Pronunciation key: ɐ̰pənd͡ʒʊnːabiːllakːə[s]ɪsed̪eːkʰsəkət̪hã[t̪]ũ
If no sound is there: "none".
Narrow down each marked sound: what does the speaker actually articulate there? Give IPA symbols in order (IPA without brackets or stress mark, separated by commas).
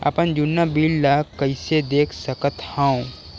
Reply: none, none